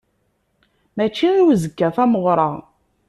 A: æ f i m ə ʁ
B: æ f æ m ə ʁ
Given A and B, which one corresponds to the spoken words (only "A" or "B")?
B